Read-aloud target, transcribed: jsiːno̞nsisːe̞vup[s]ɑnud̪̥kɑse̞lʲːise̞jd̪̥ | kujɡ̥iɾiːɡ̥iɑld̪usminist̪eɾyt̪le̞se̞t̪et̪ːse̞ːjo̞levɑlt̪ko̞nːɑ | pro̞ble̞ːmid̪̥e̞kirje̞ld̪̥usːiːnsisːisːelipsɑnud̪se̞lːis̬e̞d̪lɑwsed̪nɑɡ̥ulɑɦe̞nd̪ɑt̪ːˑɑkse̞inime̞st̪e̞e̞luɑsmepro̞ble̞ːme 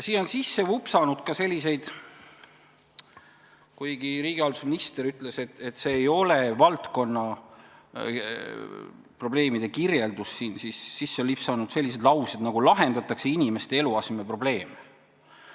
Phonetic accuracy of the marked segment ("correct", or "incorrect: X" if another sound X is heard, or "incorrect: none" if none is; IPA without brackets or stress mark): correct